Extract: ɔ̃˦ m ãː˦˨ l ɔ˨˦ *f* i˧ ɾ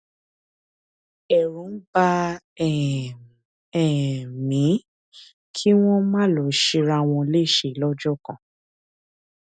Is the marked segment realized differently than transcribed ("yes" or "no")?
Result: yes